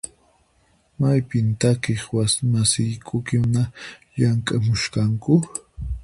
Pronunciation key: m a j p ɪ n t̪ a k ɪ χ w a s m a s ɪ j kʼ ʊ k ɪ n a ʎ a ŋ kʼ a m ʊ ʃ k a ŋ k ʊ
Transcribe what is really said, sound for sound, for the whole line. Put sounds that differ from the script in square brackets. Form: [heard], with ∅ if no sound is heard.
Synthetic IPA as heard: m a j p ɪ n t̪ a k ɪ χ w a s m a s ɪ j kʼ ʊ k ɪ n a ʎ a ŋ kʼ a m ʊ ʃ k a ŋ k ʊ